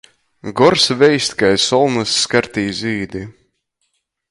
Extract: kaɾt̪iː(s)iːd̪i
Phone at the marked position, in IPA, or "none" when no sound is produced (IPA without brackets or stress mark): z